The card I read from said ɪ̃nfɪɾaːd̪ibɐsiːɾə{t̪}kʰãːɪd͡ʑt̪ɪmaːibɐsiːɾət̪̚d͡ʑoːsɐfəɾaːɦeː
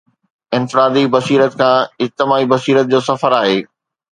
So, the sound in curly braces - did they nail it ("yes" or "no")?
yes